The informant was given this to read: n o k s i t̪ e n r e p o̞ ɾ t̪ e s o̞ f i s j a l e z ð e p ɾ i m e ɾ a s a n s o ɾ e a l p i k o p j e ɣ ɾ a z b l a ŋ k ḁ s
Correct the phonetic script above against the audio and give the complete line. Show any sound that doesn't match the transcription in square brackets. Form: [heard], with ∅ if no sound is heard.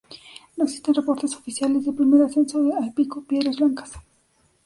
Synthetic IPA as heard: n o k s i t̪ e n r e p o̞ ɾ t̪ e s o̞ f i s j a l e z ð e p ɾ i m e ɾ a s [e] n s o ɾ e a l p i k o p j e [ð] ɾ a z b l a ŋ k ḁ s